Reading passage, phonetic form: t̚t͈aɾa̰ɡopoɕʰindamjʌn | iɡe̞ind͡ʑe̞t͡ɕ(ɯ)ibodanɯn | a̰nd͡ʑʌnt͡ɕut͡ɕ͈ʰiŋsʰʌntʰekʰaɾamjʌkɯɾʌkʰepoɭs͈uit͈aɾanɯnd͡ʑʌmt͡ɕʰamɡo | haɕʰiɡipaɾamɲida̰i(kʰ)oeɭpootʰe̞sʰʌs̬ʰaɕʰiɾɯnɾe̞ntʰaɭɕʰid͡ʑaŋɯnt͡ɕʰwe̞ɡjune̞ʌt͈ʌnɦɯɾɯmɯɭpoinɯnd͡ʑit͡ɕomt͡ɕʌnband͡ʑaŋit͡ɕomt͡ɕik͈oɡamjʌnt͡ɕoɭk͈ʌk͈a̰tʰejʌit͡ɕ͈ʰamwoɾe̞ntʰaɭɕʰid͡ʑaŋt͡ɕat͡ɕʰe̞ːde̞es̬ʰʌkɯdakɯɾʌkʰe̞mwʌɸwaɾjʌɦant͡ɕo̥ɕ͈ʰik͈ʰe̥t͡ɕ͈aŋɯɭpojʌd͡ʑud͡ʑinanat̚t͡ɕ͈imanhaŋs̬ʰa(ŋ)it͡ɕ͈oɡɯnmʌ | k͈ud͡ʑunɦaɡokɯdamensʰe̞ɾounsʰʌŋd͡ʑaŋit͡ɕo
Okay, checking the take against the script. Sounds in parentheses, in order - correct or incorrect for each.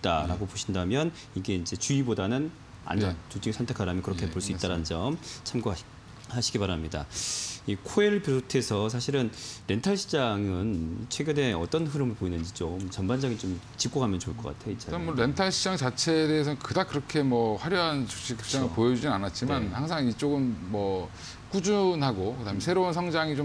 incorrect: u, correct, correct

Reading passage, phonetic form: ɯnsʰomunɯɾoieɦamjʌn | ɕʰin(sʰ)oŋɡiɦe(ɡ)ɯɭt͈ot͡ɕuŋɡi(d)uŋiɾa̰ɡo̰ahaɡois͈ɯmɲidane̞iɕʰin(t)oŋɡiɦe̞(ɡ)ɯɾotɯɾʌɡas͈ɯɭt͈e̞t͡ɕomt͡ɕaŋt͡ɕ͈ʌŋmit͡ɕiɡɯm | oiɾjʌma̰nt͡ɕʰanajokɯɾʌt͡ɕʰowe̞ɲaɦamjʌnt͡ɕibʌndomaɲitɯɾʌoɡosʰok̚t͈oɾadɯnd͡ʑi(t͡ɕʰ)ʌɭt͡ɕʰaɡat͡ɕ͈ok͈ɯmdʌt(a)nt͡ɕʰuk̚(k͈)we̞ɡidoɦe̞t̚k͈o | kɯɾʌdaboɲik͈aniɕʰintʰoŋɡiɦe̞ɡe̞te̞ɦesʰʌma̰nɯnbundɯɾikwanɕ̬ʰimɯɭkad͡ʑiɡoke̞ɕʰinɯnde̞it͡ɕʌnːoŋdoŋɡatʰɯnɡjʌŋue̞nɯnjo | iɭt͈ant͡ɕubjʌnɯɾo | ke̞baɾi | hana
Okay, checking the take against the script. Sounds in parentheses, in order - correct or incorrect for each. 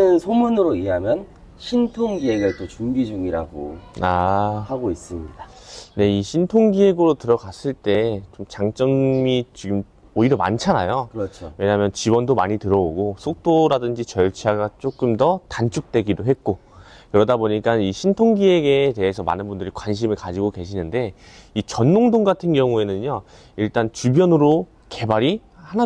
incorrect: tʰ, correct, incorrect: d͡ʑ, incorrect: tʰ, correct, incorrect: t͡ɕ, correct, incorrect: t͈

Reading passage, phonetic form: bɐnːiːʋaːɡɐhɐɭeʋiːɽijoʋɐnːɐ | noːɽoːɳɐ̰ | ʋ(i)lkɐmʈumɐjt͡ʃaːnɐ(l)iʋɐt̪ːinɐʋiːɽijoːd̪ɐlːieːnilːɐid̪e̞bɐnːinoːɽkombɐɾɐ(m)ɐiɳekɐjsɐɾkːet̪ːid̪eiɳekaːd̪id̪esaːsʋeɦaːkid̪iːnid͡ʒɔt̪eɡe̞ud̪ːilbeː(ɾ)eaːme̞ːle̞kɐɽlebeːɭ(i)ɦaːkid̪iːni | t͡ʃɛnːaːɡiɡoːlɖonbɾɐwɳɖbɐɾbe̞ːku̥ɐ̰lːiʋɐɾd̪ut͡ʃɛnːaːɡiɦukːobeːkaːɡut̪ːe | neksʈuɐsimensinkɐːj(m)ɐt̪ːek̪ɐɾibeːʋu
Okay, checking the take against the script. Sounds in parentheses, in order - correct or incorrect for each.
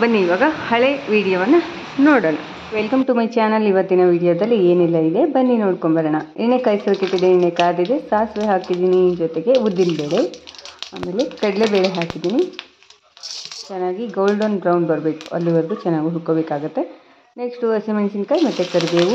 incorrect: e, correct, incorrect: ɳ, incorrect: ɭ, incorrect: e, correct

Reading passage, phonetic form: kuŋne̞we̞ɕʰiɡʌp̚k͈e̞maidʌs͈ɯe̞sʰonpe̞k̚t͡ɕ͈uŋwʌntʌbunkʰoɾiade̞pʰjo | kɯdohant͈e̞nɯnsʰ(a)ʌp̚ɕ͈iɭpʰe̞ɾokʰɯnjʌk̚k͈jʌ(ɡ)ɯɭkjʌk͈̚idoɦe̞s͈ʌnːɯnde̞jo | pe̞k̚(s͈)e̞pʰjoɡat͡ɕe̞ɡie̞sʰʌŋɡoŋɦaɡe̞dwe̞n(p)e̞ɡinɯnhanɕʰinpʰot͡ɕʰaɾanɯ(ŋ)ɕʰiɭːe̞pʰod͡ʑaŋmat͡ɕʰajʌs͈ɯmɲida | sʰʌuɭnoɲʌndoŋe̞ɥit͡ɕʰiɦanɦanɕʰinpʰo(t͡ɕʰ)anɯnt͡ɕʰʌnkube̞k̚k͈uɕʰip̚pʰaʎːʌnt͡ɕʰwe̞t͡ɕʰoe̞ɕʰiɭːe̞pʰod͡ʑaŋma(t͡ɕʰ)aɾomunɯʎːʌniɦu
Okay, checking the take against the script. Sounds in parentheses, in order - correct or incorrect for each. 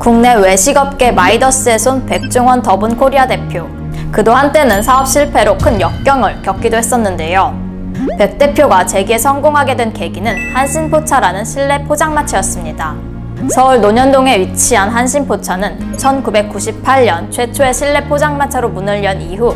correct, incorrect: ŋ, incorrect: t͈, incorrect: k, incorrect: n, correct, correct

